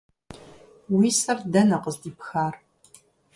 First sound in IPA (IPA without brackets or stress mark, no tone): w